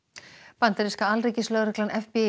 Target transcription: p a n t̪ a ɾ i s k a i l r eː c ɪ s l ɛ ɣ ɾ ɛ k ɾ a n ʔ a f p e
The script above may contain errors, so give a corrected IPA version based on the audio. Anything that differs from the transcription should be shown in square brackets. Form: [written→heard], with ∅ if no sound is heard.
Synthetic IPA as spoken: p a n t̪ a ɾ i s k a [i→a] l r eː c ɪ s l [ɛ→œ] ɣ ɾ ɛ k [ɾ→l] a n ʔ [a→ɛ] f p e

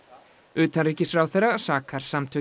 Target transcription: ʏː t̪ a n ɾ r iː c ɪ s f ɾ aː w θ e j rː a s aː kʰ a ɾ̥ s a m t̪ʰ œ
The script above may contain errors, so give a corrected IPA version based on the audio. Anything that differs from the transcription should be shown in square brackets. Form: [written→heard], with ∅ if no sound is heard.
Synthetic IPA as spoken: ʏː t̪ a n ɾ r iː c ɪ s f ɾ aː w θ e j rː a s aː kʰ a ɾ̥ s a m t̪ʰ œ

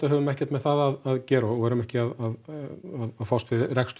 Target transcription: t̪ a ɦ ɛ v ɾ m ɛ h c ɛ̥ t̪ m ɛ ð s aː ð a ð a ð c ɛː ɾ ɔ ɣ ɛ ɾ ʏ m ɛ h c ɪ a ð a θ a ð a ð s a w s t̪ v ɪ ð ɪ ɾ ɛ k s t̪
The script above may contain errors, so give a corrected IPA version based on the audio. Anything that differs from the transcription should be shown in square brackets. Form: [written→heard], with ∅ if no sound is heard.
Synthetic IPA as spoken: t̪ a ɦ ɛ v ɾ m ɛ h c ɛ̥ t̪ m ɛ ð [s→θ] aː ð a ð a ð c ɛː ɾ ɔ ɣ ɛ ɾ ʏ m ɛ h c ɪ a ð a [θ→ð] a ð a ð [s→f] a w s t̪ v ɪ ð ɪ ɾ ɛ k s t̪

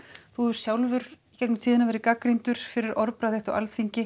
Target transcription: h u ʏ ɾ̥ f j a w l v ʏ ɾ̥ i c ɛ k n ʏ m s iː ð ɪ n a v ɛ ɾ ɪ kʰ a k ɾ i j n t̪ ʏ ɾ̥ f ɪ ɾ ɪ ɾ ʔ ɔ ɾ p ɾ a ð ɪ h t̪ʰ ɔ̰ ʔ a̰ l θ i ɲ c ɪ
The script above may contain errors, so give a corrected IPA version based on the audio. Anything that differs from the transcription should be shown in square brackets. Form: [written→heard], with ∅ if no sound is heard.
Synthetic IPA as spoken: [h→θ] u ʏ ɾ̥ [f→s] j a w l v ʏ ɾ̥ i c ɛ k n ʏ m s iː ð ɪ n a v ɛ ɾ ɪ [kʰ→k] a k ɾ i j n t̪ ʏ ɾ̥ f ɪ ɾ ɪ ɾ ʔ ɔ ɾ p ɾ a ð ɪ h [t̪ʰ→t̪] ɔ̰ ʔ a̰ l θ i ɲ c ɪ

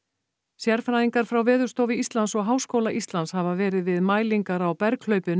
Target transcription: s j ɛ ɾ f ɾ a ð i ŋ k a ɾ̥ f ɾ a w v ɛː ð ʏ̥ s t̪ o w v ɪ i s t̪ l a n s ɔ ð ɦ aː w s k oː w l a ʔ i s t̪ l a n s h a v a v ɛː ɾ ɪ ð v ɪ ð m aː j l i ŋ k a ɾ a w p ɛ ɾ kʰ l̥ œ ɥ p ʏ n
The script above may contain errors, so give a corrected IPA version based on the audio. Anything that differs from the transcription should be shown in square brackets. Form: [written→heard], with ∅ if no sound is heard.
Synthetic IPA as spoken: s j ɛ ɾ f ɾ a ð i ŋ k a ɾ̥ f ɾ a w v ɛː ð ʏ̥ s t̪ o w v ɪ i s t̪ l a n s ɔ [ð→ɣ] ɦ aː w s k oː w l a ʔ i s t̪ l a n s h a v a v ɛː ɾ ɪ ð v ɪ ð m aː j l i ŋ k a ɾ a w p ɛ ɾ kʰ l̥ œ ɥ p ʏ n

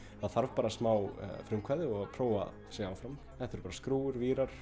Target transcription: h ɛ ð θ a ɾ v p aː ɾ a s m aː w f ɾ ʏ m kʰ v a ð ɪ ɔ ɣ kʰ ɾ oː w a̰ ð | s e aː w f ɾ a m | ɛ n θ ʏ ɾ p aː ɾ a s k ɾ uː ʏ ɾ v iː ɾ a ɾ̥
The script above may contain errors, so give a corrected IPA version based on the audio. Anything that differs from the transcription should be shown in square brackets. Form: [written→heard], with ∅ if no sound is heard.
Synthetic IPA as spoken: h [ɛ→a] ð θ a ɾ v p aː ɾ a s m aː w f ɾ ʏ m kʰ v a ð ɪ ɔ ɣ [kʰ→pʰ] ɾ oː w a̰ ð | s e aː w f ɾ a m | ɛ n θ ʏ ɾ p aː ɾ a s k ɾ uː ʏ ɾ v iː ɾ a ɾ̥

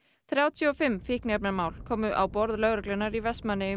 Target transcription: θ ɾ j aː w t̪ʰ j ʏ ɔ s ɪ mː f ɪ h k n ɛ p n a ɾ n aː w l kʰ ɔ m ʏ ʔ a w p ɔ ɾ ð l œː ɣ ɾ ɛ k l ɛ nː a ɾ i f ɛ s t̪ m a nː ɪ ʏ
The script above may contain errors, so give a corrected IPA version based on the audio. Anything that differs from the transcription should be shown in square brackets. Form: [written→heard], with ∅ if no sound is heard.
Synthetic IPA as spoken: θ ɾ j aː w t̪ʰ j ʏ ɔ [s→f] ɪ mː f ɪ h k n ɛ p n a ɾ [n→m] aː w l kʰ [ɔ→ɔː] m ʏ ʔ a w p ɔ ɾ ð l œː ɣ ɾ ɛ k l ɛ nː a ɾ i [f→v] ɛ s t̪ m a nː ɪ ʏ

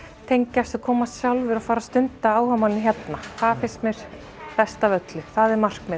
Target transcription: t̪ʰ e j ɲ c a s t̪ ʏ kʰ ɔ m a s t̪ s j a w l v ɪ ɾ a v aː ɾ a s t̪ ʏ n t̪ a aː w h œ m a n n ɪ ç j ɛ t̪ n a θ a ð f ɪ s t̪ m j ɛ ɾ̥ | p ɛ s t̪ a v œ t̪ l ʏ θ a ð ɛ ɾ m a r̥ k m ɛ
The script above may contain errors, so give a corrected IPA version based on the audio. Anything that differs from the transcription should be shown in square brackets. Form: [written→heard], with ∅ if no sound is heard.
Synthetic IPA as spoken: t̪ʰ e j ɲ c a s t̪ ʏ kʰ [ɔ→ɔː] m a s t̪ s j a w l v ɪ ɾ a [v→f] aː ɾ a s t̪ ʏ n t̪ a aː w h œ m a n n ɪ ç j ɛ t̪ n a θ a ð f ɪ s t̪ m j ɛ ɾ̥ | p ɛ s t̪ a v œ t̪ l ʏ θ a ð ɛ ɾ m a r̥ k m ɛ

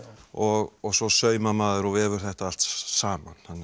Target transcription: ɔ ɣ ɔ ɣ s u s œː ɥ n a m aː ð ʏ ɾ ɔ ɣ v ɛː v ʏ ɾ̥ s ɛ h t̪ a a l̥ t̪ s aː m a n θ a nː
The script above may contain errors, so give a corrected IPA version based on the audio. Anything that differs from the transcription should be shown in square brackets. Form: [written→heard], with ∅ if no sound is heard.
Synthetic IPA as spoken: ɔ ɣ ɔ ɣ s [u→ɔ] s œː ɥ [n→m] a m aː ð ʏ ɾ ɔ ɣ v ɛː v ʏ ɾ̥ [s→θ] ɛ h t̪ a a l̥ t̪ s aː m a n [θ→h] a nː

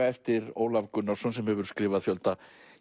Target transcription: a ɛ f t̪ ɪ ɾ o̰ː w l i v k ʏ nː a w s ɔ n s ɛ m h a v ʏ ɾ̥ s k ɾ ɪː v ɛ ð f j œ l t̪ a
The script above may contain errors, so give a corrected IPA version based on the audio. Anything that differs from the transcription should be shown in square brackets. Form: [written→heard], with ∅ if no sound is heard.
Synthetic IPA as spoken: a ɛ f t̪ ɪ ɾ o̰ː w l [i→a] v k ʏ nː a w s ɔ n s ɛ m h [a→ɛ] v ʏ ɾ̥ s k ɾ ɪː v [ɛ→a] ð f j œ l t̪ a

